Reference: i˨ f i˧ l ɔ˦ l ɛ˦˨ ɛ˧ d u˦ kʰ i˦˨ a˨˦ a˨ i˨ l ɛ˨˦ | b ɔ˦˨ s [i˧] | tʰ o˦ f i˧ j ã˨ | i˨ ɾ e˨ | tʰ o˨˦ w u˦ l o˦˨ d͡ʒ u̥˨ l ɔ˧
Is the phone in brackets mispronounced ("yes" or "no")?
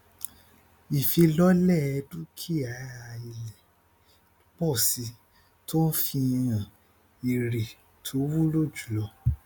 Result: no